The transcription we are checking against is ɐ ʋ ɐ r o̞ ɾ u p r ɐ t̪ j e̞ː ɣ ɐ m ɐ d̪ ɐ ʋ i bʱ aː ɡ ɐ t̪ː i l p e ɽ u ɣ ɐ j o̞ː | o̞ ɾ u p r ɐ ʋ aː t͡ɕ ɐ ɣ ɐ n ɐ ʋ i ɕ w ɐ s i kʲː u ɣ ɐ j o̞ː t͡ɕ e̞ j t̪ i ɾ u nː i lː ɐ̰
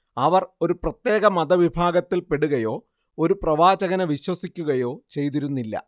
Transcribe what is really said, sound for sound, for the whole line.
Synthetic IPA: ɐ ʋ ɐ r o̞ ɾ u p r ɐ t̪ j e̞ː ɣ ɐ m ɐ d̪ ɐ ʋ i bʱ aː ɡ ɐ t̪ː i l p e ɽ u ɣ ɐ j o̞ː | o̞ ɾ u p r ɐ ʋ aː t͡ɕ ɐ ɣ ɐ n ɐ ʋ i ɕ w ɐ s i kʲː u ɣ ɐ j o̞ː t͡ɕ e̞ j t̪ i ɾ u nː i lː ɐ̰